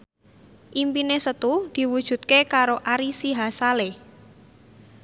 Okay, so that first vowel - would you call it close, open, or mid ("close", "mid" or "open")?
close